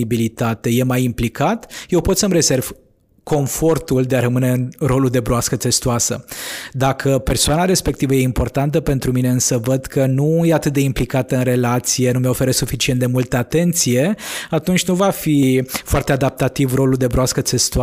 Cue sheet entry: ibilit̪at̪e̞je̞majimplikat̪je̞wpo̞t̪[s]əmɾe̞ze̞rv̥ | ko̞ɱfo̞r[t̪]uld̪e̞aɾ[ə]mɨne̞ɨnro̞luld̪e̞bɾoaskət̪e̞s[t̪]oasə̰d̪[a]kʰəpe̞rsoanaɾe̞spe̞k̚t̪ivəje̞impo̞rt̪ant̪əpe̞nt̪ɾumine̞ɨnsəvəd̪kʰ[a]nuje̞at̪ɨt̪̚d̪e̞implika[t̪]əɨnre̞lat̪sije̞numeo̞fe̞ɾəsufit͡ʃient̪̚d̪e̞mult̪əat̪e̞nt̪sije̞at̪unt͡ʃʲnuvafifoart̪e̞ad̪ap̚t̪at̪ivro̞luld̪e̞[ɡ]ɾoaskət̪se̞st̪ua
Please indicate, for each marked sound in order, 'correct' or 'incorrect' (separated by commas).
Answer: correct, correct, correct, correct, correct, incorrect, correct, incorrect